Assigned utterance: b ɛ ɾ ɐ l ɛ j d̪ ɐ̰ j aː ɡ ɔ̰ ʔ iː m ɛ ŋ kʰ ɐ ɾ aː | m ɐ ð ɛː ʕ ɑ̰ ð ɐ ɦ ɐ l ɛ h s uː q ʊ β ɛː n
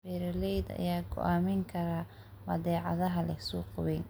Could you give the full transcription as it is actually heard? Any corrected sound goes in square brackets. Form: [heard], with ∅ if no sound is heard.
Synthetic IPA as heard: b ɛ ɾ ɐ l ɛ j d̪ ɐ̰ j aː ɡ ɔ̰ ʔ [aː] m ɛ ŋ kʰ ɐ ɾ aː | m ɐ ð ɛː ʕ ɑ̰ ð ɐ ɦ ɐ l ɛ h s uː q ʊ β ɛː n